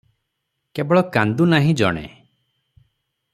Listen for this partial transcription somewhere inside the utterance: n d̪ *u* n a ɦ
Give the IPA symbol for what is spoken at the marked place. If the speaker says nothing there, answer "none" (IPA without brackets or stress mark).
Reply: u